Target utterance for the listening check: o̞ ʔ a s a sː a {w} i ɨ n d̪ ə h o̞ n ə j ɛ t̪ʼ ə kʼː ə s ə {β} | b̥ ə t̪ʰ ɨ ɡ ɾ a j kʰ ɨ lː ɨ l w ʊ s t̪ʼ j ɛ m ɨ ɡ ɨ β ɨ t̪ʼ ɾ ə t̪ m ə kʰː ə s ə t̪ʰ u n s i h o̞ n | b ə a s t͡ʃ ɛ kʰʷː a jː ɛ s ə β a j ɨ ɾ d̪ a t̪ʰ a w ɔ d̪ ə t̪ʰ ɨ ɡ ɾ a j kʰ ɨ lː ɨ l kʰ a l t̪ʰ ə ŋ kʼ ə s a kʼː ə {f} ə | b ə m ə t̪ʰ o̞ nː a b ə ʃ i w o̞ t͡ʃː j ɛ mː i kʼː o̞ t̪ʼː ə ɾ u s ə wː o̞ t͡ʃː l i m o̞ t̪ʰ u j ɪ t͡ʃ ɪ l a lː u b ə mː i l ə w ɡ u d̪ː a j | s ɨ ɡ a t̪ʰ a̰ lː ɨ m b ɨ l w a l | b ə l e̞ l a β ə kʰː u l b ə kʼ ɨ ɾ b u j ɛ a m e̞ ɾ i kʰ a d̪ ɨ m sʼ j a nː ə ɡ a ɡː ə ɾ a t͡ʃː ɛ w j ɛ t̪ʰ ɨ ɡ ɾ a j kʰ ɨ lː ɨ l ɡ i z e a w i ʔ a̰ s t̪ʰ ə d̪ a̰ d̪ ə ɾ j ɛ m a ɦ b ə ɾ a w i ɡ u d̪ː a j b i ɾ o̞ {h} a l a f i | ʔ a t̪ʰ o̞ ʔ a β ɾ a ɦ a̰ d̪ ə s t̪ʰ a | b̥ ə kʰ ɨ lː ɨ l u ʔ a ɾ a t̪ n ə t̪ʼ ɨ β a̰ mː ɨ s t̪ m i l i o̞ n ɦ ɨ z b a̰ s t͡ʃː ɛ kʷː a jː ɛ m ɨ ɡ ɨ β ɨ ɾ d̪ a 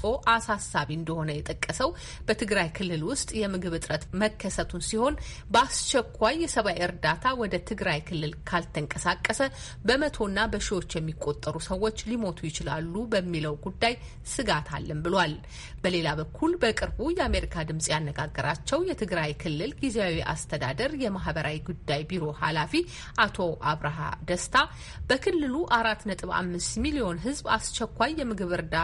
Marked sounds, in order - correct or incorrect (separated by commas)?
incorrect, incorrect, incorrect, correct